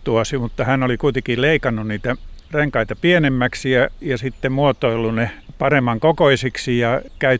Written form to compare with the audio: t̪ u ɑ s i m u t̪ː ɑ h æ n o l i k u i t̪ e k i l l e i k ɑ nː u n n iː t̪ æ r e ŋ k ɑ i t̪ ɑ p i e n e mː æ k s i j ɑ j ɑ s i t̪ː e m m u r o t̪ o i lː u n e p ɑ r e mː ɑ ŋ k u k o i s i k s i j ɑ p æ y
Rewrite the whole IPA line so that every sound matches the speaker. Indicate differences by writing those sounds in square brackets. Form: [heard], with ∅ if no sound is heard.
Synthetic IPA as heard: t̪ u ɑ s i m u t̪ː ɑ h æ n o l i k u i t̪ e k i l l e i k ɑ nː u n n iː t̪ æ r e ŋ k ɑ i t̪ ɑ p i e n e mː æ k s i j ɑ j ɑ s i t̪ː e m m u [∅] o t̪ o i lː u n e p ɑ r e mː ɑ ŋ k [o] k o i s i k s i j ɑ [k] æ y